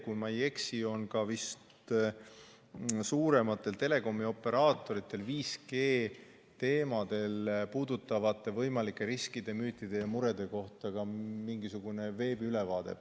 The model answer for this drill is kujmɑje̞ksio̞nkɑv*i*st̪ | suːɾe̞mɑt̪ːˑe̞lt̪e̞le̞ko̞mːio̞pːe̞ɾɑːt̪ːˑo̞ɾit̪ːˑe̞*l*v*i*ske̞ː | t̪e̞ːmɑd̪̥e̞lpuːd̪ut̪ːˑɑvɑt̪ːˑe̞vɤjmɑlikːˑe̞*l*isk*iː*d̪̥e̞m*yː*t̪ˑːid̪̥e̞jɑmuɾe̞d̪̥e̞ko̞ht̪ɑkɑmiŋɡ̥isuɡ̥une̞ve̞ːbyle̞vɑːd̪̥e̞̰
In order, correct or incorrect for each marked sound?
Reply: correct, correct, incorrect: iː, incorrect: ɾ, incorrect: i, correct

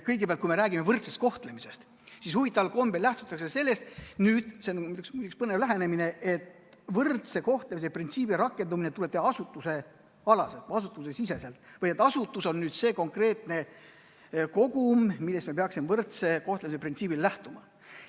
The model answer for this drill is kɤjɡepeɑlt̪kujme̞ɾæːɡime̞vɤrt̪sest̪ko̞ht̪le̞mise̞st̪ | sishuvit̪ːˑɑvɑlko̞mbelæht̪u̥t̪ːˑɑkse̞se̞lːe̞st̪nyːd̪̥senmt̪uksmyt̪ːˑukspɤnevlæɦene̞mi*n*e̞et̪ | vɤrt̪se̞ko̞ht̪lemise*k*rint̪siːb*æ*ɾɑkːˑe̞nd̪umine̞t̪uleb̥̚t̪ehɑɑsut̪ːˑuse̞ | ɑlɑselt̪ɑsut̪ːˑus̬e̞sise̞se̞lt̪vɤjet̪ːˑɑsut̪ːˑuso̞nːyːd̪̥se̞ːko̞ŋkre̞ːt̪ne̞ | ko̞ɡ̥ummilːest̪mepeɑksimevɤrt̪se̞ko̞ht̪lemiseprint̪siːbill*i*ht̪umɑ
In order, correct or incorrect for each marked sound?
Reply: correct, incorrect: p, incorrect: i, incorrect: æ

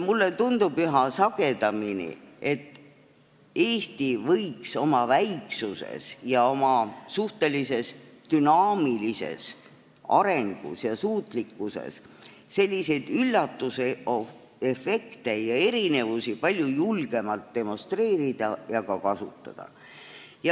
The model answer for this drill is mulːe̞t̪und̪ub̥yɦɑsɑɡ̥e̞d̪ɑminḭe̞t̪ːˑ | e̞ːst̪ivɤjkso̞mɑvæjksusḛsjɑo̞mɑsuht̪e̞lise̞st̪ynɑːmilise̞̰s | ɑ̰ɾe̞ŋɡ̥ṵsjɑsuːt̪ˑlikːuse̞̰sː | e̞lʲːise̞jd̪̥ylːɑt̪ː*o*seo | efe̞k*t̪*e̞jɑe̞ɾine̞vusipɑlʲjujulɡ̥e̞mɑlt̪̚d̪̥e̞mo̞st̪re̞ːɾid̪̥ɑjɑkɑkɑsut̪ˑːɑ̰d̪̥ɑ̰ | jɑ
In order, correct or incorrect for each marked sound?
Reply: incorrect: u, correct

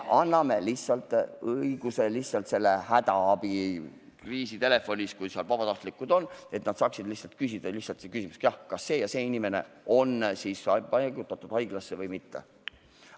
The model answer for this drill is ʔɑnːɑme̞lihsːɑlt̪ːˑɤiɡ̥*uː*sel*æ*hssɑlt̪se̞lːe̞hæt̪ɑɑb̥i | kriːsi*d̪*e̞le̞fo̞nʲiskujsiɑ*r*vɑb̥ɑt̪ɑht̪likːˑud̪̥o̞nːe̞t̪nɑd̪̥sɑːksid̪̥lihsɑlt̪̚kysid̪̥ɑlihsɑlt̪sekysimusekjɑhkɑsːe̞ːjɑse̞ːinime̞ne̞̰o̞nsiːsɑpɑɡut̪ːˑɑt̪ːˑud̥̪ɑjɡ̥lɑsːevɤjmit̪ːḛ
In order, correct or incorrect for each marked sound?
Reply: incorrect: u, incorrect: i, incorrect: t̪, incorrect: l

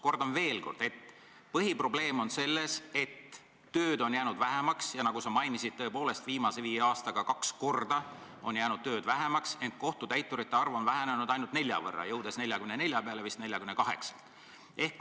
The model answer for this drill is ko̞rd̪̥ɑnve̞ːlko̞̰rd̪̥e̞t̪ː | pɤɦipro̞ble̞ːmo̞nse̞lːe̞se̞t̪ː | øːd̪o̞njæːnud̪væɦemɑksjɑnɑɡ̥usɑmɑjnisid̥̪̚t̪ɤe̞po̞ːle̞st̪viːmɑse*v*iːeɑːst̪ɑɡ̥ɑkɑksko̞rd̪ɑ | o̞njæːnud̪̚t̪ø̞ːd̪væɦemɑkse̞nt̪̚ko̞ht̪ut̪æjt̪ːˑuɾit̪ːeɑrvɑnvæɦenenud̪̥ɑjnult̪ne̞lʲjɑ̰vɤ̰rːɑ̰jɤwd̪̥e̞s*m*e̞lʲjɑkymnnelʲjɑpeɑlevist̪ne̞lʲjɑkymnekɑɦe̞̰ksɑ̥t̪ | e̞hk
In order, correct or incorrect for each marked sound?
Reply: correct, incorrect: n

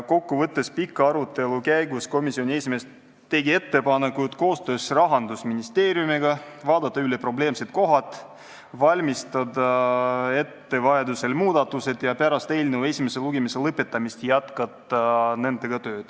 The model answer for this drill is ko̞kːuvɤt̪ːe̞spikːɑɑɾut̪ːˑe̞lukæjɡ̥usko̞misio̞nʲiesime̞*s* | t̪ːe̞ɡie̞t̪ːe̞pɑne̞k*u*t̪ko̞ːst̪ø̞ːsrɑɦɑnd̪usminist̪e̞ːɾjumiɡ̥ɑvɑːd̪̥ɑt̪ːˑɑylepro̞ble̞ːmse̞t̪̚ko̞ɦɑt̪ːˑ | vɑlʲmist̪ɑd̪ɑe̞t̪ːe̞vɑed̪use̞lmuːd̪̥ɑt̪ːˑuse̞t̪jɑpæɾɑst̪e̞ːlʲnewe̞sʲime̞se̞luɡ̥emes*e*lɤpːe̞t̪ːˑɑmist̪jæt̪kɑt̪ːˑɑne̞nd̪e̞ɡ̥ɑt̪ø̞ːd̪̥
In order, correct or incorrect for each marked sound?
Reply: correct, correct, correct

